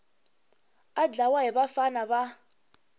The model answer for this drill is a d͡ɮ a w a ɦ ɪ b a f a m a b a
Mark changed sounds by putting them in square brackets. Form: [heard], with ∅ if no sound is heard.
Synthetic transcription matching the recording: a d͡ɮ a w a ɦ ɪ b a f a [n] a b a